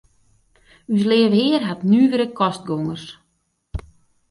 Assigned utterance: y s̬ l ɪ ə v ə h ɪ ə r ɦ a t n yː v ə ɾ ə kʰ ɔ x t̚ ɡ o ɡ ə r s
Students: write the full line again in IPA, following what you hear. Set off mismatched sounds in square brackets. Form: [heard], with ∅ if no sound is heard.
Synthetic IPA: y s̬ l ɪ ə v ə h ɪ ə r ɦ a t n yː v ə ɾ ə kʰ ɔ [s] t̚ ɡ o [ŋ] ə r s